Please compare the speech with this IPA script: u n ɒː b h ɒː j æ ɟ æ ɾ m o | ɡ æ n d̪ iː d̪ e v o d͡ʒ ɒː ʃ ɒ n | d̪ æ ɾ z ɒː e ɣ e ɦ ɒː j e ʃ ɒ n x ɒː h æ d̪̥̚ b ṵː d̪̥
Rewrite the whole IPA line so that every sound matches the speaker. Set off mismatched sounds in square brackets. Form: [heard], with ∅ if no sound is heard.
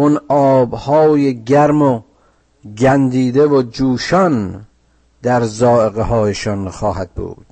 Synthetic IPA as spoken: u n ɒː b h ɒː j [e] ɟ æ ɾ m o | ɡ æ n d̪ iː d̪ e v o d͡ʒ [uː] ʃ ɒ n | d̪ æ ɾ z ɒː e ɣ e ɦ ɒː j e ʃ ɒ n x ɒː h æ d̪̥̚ b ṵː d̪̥